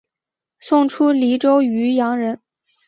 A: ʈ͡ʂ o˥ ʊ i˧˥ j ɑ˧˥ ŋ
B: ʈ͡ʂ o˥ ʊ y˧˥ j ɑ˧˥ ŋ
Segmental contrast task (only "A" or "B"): B